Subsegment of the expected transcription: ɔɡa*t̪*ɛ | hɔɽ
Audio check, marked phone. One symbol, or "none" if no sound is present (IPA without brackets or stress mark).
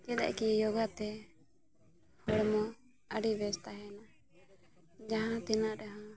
t̪